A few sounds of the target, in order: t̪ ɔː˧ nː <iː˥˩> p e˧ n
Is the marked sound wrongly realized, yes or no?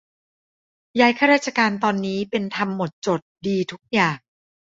yes